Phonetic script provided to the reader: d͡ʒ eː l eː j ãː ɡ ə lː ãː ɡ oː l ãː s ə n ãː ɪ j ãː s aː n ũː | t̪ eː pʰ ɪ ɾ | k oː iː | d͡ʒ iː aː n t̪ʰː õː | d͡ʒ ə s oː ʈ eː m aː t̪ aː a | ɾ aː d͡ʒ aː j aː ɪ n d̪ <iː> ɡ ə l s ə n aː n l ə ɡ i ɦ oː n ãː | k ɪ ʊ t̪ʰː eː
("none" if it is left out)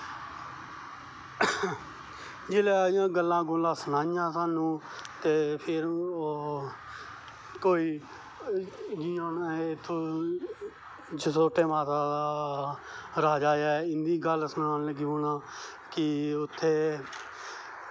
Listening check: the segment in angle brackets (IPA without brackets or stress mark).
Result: iː